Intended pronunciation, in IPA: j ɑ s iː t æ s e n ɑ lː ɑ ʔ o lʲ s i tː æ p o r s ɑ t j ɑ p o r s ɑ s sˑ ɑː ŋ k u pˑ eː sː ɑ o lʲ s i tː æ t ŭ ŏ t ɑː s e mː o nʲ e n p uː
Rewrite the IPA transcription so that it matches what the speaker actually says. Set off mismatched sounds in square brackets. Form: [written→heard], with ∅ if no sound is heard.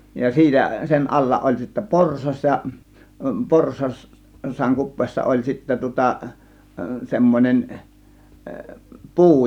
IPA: j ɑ s iː t æ s e n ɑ lː ɑ ʔ o lʲ s i tː æ p o r s ɑ [t→s] j ɑ p o r s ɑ s sˑ ɑː ŋ k u pˑ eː sː ɑ o lʲ s i tː æ t ŭ ŏ t [ɑː→ɑ] s e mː o nʲ e n p uː